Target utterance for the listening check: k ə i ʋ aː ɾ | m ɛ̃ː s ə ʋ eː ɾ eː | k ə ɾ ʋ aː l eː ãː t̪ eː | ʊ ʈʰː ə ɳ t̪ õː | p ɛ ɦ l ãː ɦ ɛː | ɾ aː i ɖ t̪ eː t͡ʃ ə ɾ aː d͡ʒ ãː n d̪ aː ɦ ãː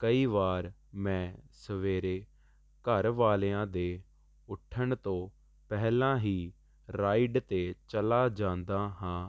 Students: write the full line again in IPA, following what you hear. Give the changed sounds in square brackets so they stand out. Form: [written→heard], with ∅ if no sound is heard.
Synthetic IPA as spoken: k ə [i→iː] ʋ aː ɾ | m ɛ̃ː s ə ʋ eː ɾ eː | k ə ɾ ʋ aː l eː ãː [t̪→d̪] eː | ʊ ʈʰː ə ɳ t̪ õː | p ɛ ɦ l ãː ɦ [ɛː→iː] | ɾ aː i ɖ t̪ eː t͡ʃ ə [ɾ→l] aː d͡ʒ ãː n d̪ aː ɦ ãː